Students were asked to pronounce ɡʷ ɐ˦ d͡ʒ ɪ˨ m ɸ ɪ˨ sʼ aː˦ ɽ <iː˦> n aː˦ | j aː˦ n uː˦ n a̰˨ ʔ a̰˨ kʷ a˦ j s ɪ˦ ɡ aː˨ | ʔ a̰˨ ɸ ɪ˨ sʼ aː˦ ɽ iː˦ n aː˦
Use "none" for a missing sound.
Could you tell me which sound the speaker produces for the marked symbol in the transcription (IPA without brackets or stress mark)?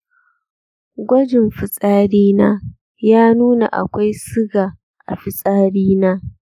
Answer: iː˦